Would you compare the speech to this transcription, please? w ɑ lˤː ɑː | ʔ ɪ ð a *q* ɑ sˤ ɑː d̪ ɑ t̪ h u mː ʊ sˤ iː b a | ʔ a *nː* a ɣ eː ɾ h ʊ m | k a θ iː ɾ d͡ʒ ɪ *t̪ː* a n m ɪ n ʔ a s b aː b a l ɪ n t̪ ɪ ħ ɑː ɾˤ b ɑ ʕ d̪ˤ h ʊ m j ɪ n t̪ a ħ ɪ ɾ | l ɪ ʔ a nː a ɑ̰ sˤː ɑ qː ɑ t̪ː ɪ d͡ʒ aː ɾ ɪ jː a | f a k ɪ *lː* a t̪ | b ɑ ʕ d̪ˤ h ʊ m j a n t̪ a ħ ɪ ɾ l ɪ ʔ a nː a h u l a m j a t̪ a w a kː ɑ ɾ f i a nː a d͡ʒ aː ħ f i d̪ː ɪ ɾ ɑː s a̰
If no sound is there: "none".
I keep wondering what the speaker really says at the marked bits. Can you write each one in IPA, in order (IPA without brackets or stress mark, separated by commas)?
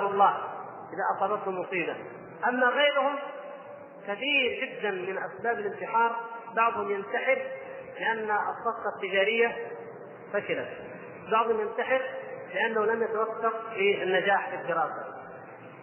ʔ, mː, d̪ː, l